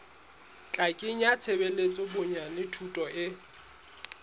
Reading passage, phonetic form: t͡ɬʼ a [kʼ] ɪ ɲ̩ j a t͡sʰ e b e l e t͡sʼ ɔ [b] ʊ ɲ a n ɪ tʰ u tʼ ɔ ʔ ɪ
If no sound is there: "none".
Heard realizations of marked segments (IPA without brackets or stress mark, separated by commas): kʼ, b